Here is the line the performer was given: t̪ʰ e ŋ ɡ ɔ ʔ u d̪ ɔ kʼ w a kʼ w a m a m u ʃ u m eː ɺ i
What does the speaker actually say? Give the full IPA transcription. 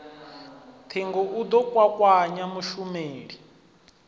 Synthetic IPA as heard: t̪ʰ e ŋ ɡ ɔ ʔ u d̪ ɔ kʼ w a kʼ w a ɲ a m u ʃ u m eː ɺ i